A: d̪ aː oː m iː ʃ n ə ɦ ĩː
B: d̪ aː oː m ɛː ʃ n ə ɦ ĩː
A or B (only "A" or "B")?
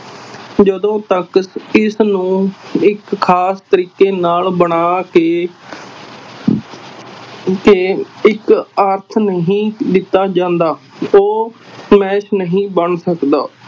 B